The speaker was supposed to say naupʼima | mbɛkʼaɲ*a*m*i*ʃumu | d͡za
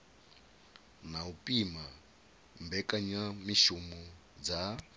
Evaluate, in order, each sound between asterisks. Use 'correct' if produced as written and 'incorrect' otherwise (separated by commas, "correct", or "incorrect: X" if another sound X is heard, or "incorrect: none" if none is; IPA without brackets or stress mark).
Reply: correct, correct